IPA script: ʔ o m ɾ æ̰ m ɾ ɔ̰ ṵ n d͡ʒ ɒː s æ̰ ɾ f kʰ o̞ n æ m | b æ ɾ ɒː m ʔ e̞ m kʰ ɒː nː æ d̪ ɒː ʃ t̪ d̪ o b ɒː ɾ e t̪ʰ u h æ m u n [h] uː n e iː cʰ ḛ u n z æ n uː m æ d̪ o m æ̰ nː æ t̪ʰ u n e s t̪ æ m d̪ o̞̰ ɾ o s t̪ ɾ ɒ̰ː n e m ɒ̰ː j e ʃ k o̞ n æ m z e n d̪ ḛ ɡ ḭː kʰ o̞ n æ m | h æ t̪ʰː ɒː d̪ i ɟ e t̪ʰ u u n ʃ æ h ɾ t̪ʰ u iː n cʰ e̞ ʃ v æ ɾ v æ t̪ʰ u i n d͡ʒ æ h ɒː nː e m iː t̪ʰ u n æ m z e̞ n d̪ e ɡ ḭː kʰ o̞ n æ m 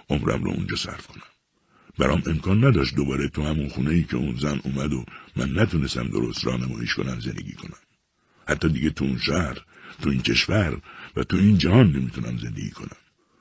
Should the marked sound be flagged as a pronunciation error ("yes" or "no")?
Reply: yes